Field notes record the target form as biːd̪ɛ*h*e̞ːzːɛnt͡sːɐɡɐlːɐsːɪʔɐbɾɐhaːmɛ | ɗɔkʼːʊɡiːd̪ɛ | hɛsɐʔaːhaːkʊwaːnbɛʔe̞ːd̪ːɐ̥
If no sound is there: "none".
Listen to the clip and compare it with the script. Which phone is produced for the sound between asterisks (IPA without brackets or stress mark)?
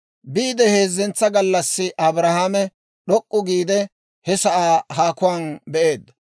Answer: h